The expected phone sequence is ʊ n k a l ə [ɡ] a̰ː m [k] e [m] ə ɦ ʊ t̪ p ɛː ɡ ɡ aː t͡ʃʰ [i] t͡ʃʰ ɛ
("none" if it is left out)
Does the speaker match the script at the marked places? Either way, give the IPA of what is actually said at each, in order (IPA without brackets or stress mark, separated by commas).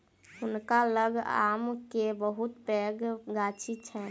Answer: ɡ, k, b, i